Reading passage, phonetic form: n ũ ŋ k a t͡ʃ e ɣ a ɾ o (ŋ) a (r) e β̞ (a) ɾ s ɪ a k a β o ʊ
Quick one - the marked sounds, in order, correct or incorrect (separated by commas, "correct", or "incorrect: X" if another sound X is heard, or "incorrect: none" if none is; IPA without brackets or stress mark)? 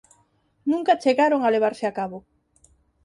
correct, incorrect: l, correct